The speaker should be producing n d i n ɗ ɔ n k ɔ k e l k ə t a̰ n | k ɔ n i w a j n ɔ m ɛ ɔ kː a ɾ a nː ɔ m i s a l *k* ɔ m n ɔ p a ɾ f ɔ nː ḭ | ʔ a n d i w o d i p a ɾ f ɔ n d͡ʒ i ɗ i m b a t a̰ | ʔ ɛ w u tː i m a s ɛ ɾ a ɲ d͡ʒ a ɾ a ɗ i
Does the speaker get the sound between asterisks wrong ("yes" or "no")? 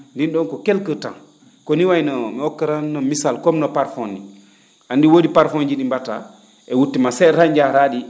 no